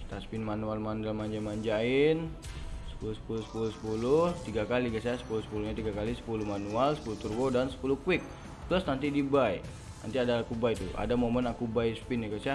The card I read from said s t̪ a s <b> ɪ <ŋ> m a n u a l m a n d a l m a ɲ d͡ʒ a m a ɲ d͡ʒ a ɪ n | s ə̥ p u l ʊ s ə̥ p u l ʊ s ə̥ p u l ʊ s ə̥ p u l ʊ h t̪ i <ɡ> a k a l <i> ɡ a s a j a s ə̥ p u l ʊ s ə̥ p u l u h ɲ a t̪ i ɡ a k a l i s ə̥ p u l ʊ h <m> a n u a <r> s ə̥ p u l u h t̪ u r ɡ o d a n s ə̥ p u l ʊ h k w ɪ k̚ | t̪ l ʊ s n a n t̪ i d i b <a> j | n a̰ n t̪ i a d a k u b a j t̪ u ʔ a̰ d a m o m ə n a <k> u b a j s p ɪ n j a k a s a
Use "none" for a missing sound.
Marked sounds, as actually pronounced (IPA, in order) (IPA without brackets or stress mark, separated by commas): p, n, ɡ, i, m, l, a, k